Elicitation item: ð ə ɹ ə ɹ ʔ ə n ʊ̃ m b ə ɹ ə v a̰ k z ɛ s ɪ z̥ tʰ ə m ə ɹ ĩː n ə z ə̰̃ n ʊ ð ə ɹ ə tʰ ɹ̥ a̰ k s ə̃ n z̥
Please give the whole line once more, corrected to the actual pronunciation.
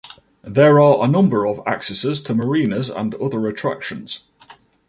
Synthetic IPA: ð ə ɹ ə ɹ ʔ ə n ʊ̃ m b ə ɹ ə v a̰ k s ɛ s ɪ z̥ tʰ ə m ə ɹ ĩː n ə z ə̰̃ n ʊ ð ə ɹ ə tʰ ɹ̥ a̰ k ʃ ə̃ n z̥